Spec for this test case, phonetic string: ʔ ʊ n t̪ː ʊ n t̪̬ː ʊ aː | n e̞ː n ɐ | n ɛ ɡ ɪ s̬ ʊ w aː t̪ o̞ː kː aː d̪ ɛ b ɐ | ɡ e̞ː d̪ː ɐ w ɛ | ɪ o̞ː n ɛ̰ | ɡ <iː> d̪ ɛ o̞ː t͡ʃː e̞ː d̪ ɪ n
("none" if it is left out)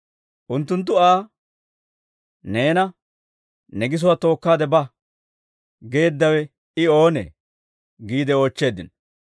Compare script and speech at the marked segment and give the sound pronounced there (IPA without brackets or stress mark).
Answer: iː